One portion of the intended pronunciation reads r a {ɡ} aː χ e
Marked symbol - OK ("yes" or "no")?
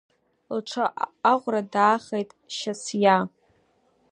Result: no